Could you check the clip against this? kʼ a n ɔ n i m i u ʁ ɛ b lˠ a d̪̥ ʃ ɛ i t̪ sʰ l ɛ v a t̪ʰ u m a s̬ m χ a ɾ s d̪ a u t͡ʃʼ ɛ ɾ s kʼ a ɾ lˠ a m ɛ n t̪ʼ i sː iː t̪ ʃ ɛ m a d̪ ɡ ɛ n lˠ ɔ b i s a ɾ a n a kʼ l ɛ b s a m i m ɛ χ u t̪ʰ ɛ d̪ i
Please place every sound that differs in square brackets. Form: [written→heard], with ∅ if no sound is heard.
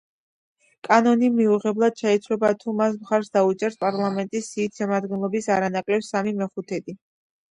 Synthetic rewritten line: kʼ a n ɔ n i m i u ʁ ɛ b lˠ a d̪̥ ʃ ɛ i t̪ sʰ l ɛ [v→b] a t̪ʰ u m a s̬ m χ a ɾ s d̪ a u t͡ʃʼ ɛ ɾ s [kʼ→pʼ] a ɾ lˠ a m ɛ n t̪ʼ i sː iː t̪ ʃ ɛ m a d̪ ɡ ɛ n lˠ ɔ b i s a ɾ a n a kʼ l ɛ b s a m i m ɛ χ u t̪ʰ ɛ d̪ i